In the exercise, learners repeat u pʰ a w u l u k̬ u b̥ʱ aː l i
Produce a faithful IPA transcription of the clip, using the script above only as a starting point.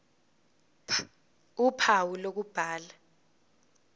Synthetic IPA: u pʰ a w u l o k̬ u b̥ʱ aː l a